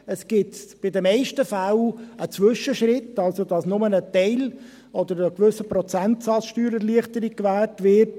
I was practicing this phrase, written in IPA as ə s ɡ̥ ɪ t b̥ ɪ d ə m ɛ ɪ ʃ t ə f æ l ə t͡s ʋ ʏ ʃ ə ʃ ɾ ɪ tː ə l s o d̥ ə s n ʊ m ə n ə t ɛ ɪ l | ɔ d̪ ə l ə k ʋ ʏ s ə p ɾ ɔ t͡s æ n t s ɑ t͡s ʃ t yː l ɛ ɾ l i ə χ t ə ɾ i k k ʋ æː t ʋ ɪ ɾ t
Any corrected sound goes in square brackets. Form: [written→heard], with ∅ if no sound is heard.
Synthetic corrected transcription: ə s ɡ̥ ɪ t b̥ ɪ d ə m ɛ ɪ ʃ t ə f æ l ə t͡s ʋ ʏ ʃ ə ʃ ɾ ɪ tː [ə→ɑ] l s o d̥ [ə→ɑ] s n ʊ m ə n ə t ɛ ɪ l | ɔ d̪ ə [l→ɾ] ə k ʋ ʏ s ə p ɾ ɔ t͡s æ n t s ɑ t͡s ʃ t yː [l→ɾ] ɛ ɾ l i ə χ t ə ɾ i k k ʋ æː t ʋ ɪ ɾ t